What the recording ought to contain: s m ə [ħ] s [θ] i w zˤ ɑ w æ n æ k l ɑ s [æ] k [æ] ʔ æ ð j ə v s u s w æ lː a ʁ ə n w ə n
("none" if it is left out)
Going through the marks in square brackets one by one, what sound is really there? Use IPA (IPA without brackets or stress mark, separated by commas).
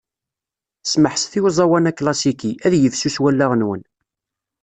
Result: ħ, θ, i, i